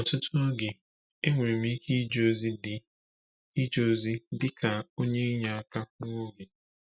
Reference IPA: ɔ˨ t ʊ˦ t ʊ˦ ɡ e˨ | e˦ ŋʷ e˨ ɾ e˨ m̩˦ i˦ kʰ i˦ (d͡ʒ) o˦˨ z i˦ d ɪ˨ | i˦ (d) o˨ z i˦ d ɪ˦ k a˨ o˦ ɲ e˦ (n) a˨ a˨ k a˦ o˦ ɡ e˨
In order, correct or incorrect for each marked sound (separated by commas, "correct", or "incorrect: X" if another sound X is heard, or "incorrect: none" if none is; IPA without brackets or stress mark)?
correct, incorrect: d͡ʒ, incorrect: ɲ